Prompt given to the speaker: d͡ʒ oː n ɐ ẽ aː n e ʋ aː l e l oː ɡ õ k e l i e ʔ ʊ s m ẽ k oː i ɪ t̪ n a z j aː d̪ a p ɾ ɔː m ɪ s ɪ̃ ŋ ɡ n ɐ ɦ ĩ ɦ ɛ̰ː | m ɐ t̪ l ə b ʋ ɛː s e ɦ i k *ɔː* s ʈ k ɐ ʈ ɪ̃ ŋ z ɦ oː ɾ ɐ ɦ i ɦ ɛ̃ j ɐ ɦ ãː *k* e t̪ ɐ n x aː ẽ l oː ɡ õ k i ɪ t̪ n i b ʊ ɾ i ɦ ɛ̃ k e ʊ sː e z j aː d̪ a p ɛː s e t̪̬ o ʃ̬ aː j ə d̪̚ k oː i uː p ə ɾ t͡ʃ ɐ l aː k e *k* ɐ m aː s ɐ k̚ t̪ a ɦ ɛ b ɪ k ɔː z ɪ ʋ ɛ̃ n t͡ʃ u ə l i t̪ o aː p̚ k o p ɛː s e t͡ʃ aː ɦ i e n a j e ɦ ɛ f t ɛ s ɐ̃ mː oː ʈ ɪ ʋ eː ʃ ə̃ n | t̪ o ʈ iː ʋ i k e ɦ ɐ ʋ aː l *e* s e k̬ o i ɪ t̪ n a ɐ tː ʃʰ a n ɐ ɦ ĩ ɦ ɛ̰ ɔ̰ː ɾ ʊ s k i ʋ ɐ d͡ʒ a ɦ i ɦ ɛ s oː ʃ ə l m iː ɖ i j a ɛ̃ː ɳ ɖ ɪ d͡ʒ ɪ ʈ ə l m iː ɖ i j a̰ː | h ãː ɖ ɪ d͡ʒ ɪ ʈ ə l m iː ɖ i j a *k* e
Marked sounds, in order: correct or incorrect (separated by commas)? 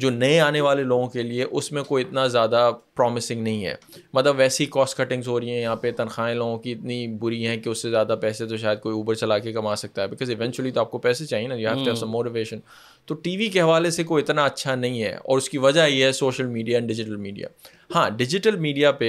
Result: correct, incorrect, correct, correct, incorrect